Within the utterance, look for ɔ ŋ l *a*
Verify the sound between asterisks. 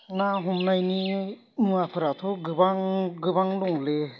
incorrect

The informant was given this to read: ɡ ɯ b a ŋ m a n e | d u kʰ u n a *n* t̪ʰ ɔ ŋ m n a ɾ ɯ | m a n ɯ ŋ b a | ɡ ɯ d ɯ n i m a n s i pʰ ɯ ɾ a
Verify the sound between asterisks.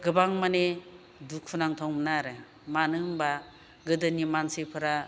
incorrect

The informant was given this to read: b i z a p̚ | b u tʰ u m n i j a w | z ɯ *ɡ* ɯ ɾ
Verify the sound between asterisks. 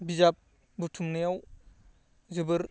incorrect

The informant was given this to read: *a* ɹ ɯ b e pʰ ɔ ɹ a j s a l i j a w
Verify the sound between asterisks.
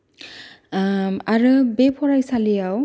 correct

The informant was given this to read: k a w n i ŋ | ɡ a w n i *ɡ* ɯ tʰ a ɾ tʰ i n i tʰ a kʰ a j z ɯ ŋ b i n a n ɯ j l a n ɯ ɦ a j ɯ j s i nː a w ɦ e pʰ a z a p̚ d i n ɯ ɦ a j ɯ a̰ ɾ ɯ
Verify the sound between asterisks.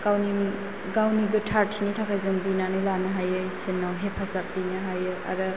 correct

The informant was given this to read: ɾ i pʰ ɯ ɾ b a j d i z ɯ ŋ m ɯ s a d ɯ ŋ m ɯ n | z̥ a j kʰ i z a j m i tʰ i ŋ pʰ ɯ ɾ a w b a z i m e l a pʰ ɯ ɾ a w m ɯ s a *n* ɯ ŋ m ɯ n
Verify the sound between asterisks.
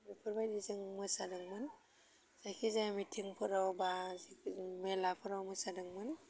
incorrect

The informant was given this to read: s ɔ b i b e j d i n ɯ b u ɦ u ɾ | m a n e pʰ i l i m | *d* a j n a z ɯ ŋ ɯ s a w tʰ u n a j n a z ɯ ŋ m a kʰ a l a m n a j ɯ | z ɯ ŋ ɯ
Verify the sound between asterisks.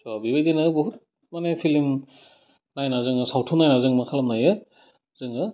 incorrect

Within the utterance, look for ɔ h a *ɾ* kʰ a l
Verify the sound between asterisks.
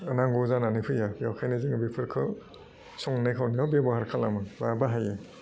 correct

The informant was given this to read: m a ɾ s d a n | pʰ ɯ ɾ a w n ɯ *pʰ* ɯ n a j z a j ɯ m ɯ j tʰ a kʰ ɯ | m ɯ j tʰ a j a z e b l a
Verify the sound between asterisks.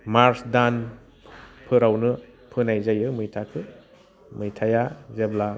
correct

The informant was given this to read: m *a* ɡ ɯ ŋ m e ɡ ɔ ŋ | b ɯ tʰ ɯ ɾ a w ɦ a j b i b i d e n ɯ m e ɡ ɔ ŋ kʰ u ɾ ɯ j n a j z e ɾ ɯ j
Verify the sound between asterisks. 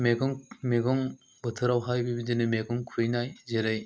incorrect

